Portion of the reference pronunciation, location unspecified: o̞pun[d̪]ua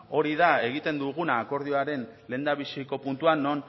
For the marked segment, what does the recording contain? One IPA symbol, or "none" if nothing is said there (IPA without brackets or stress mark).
t̪